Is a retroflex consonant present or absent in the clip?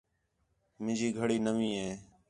present